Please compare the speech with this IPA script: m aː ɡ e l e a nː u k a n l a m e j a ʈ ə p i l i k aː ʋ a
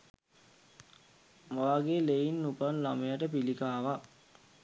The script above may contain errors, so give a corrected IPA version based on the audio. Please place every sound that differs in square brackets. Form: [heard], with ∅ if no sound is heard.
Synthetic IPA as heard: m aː ɡ e l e [i] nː u [p] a n l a m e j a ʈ ə p i l i k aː ʋ a

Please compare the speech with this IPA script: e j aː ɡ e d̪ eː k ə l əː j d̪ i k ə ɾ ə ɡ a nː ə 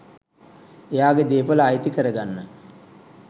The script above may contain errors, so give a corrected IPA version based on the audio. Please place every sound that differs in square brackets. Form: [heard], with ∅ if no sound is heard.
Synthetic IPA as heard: e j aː ɡ e d̪ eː [p] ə l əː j [t̪] i k ə ɾ ə ɡ a nː ə

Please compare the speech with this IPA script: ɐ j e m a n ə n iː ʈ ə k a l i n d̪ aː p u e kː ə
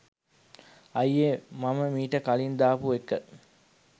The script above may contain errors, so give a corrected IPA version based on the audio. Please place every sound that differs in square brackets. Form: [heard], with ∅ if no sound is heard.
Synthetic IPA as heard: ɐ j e m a [m] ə [m] iː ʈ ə k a l i n d̪ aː p u e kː ə

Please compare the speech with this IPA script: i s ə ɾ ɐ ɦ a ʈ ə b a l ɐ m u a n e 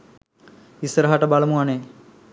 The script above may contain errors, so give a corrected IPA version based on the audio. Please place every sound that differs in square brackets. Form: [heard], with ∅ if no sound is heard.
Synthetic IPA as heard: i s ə ɾ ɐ ɦ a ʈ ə b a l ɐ m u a n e

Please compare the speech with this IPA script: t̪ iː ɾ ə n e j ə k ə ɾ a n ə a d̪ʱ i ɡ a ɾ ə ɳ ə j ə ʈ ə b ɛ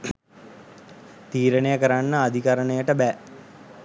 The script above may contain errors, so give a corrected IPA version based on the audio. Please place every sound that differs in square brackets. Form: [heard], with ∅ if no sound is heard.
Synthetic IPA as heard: t̪ iː ɾ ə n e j ə k ə ɾ a [nː] ə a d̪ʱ i [k] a ɾ ə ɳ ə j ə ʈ ə b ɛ

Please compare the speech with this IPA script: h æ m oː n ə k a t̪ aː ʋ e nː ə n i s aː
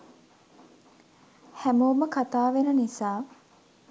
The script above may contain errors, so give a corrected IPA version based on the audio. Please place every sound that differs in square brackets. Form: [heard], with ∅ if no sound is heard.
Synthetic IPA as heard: h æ m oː [m] ə k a t̪ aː ʋ e [n] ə n i s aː

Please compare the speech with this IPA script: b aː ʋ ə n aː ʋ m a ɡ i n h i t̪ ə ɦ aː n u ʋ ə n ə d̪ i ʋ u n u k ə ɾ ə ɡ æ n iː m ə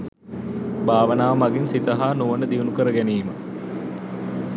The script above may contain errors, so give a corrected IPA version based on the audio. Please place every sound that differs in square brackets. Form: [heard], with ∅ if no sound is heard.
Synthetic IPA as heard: b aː ʋ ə n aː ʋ m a ɡ i n [s] i t̪ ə ɦ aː n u ʋ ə n ə d̪ i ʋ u n u k ə ɾ ə ɡ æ n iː m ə

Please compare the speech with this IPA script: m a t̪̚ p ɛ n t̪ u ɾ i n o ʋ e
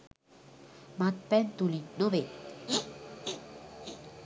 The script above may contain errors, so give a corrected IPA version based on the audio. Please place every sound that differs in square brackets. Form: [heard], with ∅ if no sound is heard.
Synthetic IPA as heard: m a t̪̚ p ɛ n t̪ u [l] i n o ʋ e

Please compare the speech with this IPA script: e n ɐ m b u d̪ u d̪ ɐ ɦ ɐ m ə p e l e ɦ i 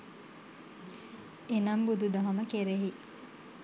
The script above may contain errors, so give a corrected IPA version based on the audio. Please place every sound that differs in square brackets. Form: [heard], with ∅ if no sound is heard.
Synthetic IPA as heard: e n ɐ m b u d̪ u d̪ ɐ ɦ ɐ m ə [k] e [ɾ] e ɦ i

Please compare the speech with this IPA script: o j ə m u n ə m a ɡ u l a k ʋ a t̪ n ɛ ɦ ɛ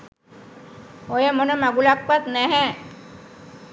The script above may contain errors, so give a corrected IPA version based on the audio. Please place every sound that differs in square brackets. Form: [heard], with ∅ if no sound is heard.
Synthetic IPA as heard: o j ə m [o] n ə m a ɡ u l a k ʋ a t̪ n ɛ ɦ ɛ

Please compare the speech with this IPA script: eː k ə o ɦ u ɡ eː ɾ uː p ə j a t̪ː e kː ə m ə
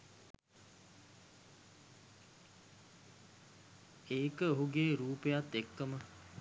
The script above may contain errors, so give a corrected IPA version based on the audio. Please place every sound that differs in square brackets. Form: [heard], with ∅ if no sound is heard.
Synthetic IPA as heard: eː k ə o ɦ u ɡ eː ɾ uː p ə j a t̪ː e kː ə m ə

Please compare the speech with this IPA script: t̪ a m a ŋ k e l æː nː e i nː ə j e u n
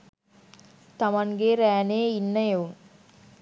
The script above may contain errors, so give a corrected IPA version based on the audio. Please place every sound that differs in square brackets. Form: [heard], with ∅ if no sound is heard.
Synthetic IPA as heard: t̪ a m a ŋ [ɡ] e [ɾ] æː [n] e i nː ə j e u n

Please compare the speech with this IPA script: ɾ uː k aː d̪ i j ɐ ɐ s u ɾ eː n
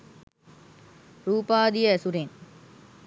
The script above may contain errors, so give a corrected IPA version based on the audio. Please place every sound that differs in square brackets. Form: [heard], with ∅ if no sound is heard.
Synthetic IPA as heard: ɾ uː [p] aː d̪ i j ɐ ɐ s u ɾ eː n

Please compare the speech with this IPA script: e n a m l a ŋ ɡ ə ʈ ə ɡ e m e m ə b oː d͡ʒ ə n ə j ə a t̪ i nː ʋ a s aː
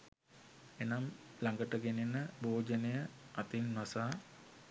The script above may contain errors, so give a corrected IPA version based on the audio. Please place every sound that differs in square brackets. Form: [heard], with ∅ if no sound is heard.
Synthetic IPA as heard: e n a m l a ŋ ɡ ə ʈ ə ɡ e [n] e [n] ə b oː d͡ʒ ə n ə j ə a t̪ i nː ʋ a s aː

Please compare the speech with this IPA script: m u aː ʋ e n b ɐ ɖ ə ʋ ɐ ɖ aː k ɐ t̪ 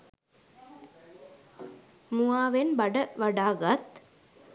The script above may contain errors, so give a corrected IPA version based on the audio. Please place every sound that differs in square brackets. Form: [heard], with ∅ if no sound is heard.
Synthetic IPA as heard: m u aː ʋ e n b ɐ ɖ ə ʋ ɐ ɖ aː [ɡ] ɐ t̪

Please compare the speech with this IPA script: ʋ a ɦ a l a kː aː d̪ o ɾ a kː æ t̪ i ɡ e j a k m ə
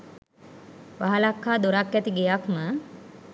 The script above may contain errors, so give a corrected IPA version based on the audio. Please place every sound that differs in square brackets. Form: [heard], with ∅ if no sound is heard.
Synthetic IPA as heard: ʋ a ɦ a l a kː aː d̪ o ɾ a kː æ t̪ i ɡ e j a k m ə

